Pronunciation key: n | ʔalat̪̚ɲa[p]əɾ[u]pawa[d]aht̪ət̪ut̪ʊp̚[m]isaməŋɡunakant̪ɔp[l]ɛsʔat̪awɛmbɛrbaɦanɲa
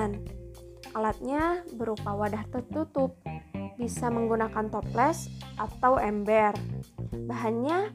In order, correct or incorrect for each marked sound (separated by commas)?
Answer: incorrect, correct, correct, incorrect, correct